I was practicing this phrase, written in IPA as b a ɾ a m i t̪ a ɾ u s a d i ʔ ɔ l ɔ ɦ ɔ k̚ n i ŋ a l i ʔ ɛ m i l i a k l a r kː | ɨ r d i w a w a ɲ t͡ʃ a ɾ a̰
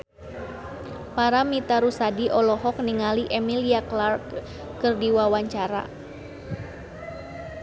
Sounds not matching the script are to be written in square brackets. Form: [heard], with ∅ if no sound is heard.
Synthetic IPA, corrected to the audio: [p] a ɾ a m i t̪ a ɾ u s a d i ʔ ɔ l ɔ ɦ ɔ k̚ n i ŋ a l i ʔ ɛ m i l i a k l a r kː | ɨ r d i w a w a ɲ t͡ʃ a ɾ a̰